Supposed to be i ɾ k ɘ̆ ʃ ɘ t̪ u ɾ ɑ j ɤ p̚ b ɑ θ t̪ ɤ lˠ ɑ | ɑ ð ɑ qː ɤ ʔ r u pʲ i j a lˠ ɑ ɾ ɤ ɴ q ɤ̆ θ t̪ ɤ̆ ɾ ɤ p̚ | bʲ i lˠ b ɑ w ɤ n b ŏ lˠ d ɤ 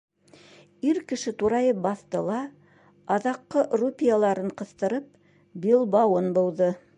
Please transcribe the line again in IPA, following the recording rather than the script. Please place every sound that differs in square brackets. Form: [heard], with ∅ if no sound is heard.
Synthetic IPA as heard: i ɾ k ɘ̆ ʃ ɘ t̪ u ɾ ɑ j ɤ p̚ b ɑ θ t̪ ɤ lˠ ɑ | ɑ ð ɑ qː ɤ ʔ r u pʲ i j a lˠ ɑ ɾ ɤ ɴ q ɤ̆ θ t̪ ɤ̆ ɾ ɤ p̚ | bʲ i lˠ b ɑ w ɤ n b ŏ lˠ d ɤ